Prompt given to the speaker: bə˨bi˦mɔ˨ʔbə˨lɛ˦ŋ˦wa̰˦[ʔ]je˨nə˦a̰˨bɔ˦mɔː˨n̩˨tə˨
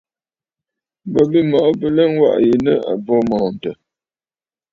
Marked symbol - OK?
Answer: yes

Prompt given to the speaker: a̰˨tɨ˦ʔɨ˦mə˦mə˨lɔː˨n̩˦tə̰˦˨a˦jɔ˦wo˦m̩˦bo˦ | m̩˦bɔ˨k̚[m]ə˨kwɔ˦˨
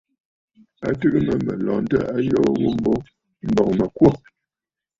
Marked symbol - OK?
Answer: yes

